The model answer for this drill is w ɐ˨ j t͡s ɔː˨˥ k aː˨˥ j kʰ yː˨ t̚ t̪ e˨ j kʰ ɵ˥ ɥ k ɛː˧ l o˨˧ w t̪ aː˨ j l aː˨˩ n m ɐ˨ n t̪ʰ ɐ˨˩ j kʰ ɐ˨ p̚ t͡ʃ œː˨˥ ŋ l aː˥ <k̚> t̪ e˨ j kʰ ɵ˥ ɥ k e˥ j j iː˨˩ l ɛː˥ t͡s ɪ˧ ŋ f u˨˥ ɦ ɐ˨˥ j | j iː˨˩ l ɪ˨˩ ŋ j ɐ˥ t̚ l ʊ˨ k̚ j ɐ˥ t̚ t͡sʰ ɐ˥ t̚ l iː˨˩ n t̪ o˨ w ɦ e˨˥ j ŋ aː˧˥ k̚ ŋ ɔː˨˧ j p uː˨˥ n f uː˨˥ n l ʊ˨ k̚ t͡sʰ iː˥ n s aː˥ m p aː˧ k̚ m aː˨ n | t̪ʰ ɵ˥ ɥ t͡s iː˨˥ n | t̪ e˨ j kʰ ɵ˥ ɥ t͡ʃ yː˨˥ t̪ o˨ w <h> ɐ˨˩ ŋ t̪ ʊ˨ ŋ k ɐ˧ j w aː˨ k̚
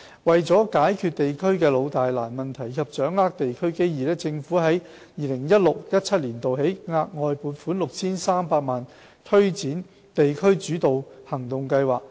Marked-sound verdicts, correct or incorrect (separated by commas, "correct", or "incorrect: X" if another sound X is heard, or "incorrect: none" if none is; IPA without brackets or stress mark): correct, correct